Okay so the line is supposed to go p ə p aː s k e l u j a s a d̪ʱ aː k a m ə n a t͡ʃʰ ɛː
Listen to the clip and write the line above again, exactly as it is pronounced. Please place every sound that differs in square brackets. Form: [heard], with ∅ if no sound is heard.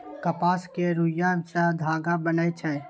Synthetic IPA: [k] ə p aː s k e [ɾ] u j a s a d̪ʱ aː [ɡ] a [b] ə n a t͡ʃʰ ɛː